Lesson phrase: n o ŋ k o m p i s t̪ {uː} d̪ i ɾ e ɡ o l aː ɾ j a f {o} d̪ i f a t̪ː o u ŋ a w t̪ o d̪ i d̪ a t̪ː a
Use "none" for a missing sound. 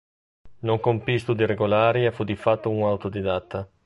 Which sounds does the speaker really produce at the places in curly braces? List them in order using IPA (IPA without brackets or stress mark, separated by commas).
u, u